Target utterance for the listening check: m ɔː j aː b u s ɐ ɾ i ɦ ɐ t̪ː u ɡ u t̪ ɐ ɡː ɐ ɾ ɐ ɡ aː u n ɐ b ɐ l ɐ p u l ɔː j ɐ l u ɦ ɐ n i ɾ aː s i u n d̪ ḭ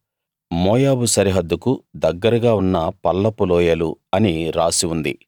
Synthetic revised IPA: m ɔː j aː b u s ɐ ɾ i ɦ ɐ d̪ː u k u d̪ ɐ ɡː ɐ ɾ ɐ ɡ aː u nː ɐ p ɐ lː ɐ p u l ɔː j ɐ l u ɐ n i ɾ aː s i u n d̪ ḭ